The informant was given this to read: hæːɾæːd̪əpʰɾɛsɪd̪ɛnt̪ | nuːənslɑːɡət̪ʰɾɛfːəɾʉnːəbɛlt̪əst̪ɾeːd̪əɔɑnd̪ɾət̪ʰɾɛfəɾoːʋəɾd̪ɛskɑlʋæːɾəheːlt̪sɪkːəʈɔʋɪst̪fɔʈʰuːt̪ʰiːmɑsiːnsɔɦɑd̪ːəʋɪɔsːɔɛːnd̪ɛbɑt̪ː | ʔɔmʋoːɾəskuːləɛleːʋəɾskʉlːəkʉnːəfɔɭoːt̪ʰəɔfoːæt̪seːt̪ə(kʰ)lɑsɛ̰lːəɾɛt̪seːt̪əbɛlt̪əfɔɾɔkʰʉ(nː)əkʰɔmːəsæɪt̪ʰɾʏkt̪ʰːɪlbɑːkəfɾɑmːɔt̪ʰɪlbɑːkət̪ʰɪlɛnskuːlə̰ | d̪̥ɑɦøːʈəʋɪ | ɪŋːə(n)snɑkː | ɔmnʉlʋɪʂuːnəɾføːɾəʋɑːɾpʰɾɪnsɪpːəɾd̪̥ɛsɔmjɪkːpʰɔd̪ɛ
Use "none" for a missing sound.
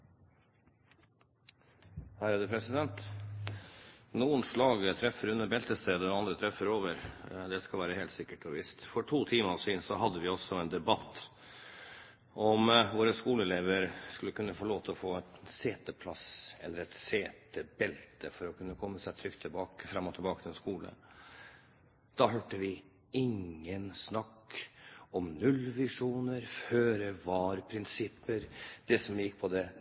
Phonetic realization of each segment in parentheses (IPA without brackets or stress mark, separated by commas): pʰ, nː, n